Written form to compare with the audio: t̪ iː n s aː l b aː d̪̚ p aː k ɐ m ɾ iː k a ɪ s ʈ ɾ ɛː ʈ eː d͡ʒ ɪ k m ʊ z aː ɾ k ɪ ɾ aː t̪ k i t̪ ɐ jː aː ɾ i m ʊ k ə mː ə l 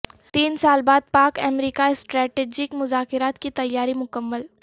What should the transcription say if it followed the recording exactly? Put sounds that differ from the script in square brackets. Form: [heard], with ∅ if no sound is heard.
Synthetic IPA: t̪ iː n s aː l b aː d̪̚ p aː k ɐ m ɾ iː k a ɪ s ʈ ɾ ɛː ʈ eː d͡ʒ ɪ k m ʊ z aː [∅] k ɪ ɾ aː t̪ k i t̪ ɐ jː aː ɾ i m ʊ k ə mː ə l